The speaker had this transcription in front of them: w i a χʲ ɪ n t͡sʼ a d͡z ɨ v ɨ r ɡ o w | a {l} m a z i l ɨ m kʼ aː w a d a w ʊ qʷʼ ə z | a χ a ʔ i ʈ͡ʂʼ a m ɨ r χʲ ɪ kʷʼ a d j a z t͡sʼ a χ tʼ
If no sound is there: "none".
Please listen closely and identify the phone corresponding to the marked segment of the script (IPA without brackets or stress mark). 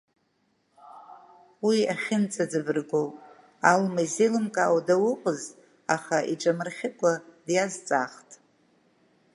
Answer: l